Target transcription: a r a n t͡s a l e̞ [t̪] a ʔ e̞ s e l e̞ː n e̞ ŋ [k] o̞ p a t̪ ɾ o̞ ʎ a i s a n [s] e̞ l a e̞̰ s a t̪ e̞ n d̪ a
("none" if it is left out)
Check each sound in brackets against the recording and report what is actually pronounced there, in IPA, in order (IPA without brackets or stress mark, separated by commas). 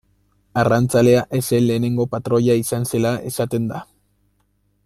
none, ɡ, s